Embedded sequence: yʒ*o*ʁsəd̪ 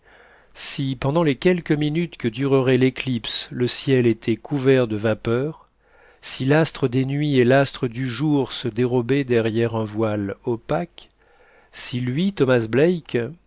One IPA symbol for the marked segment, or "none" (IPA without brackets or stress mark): u